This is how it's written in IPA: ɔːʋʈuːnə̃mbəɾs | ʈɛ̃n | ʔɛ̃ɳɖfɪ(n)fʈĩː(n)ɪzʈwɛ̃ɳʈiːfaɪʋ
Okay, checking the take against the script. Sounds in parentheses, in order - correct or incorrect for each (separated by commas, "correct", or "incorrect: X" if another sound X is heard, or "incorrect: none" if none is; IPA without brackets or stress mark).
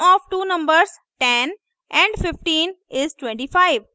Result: incorrect: none, correct